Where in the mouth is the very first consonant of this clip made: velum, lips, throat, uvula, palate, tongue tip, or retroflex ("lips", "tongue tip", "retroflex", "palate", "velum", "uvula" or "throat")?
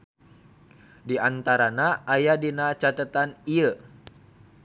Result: tongue tip